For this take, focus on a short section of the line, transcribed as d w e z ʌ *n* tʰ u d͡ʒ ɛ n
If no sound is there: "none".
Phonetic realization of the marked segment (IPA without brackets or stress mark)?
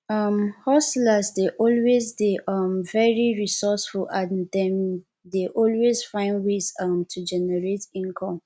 m